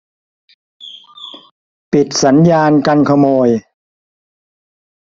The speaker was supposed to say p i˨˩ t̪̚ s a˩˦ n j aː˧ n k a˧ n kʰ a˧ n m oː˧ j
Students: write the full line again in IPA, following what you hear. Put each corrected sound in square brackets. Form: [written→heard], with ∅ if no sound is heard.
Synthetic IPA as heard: p i˨˩ t̪̚ s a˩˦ n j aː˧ n k a˧ n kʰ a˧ [n→∅] m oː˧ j